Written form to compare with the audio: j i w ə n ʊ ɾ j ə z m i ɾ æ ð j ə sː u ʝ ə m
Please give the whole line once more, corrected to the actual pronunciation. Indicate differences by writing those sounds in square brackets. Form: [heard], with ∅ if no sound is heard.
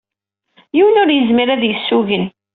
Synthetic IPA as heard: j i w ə n ʊ ɾ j ə z m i ɾ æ ð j ə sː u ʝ ə [n]